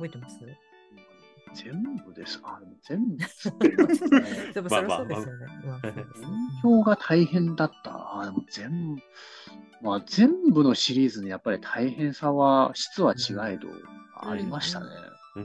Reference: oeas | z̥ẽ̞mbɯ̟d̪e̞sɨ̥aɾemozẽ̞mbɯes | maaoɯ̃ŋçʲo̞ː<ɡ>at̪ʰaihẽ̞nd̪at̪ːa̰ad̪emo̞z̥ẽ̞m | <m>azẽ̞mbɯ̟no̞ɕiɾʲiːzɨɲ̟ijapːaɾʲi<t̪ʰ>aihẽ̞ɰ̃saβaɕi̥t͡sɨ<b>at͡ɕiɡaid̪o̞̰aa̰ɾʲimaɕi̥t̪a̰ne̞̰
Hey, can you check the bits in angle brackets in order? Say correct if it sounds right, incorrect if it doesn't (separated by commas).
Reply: correct, correct, correct, incorrect